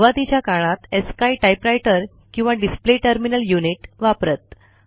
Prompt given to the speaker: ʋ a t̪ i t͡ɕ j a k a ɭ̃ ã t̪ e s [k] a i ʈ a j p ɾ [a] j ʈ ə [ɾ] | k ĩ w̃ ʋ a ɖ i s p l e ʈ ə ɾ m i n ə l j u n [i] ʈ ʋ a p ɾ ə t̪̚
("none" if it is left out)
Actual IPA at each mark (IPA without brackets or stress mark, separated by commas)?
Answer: k, a, ɾ, i